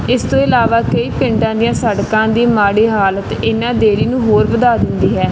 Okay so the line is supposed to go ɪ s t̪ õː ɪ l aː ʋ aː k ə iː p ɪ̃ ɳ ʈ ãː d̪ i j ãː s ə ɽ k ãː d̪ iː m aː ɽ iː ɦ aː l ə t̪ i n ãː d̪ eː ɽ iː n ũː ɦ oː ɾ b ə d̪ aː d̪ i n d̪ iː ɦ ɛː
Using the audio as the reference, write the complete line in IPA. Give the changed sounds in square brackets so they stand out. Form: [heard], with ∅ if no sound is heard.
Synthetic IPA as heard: ɪ s t̪ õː ɪ l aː ʋ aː k ə iː p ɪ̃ ɳ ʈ ãː d̪ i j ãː s ə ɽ k ãː d̪ iː m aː ɽ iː ɦ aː l ə t̪ [ɪ] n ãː d̪ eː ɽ iː n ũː ɦ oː ɾ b ə d̪ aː d̪ [ɪ] n d̪ iː ɦ ɛː